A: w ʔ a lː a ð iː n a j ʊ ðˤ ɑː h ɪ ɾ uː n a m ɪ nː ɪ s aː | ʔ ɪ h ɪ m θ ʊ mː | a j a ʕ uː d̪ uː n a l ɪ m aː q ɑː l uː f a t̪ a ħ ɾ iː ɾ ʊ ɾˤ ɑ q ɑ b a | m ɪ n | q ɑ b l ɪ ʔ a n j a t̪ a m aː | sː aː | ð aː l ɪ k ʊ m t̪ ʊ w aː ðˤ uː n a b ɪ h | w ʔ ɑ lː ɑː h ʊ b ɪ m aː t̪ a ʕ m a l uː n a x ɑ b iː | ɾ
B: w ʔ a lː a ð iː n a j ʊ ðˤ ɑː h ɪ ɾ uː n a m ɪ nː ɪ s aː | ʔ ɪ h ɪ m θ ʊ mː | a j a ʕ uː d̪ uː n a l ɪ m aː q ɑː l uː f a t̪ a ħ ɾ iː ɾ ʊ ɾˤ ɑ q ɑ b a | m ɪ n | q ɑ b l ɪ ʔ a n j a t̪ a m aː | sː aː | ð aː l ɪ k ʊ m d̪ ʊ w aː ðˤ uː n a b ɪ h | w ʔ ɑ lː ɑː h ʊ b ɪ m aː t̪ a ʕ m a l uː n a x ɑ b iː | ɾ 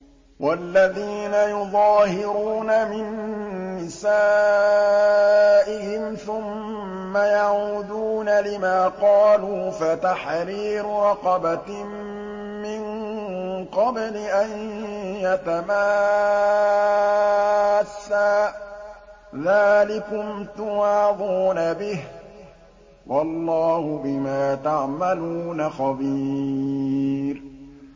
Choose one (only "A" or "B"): A